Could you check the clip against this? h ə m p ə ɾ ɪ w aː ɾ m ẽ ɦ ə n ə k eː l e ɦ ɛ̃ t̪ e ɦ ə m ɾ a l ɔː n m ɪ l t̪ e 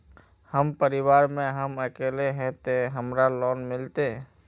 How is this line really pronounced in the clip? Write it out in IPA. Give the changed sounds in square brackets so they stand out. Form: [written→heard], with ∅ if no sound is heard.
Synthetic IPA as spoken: h ə m p ə ɾ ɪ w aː ɾ m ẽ ɦ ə [n→m] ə k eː l e ɦ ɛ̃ t̪ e ɦ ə m ɾ a l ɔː n m ɪ l t̪ e